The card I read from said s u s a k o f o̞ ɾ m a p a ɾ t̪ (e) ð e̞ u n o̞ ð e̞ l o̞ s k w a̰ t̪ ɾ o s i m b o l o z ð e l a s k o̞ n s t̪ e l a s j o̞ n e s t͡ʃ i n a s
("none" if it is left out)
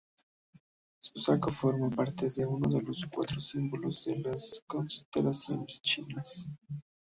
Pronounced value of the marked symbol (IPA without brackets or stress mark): e